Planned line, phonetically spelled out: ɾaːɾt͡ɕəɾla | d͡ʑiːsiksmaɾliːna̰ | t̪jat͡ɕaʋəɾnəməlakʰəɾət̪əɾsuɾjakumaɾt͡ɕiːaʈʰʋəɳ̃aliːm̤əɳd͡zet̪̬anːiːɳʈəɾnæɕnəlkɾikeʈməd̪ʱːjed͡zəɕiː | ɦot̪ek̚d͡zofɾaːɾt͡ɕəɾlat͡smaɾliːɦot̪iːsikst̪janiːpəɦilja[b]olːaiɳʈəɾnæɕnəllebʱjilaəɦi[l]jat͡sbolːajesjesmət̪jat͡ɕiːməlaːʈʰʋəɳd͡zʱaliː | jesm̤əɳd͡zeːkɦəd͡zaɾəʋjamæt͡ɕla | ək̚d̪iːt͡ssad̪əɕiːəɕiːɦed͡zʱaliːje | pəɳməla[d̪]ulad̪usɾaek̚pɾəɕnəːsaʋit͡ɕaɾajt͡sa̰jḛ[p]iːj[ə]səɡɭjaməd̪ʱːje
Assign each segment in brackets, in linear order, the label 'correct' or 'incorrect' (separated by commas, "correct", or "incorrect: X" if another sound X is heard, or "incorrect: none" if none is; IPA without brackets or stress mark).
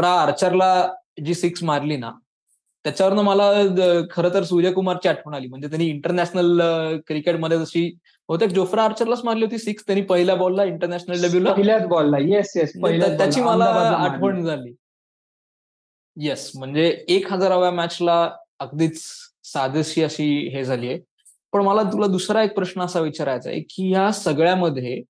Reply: correct, correct, incorrect: t̪, incorrect: k, incorrect: a